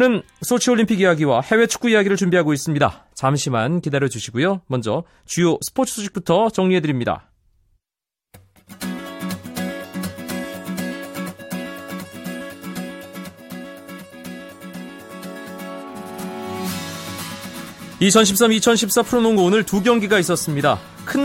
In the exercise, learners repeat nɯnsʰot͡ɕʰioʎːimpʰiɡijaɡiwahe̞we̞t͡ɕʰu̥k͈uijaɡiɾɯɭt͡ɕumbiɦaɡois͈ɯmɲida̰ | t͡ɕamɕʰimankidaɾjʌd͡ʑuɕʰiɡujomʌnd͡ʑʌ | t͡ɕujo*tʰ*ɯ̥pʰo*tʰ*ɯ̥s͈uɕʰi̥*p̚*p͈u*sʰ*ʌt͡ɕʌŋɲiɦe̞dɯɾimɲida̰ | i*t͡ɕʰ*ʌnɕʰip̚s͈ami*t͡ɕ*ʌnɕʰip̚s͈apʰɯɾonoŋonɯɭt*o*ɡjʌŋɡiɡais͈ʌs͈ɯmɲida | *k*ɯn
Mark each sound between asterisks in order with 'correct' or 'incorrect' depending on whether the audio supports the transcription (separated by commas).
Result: incorrect, correct, incorrect, incorrect, correct, incorrect, incorrect, incorrect